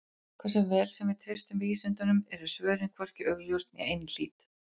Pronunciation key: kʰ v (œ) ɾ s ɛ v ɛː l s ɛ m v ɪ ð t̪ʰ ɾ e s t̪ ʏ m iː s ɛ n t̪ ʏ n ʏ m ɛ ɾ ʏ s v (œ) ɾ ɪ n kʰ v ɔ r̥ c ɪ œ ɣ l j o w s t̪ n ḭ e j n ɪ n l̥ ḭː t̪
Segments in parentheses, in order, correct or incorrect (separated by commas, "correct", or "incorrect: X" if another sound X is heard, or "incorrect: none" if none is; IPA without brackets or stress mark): incorrect: ɛ, incorrect: œː